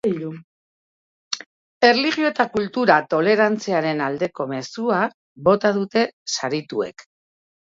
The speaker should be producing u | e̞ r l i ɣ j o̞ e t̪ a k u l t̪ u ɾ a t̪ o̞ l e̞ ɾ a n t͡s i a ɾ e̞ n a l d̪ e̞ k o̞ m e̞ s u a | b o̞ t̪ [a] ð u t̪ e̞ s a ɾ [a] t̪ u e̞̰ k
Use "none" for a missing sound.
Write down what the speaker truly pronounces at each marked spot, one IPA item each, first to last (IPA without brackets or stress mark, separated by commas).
a, i